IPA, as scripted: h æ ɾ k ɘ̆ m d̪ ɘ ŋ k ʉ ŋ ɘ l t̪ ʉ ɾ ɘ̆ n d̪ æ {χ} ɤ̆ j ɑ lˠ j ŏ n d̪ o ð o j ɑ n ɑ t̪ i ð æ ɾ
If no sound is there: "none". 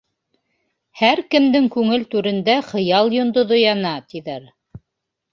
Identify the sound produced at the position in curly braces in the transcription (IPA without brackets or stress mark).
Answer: χ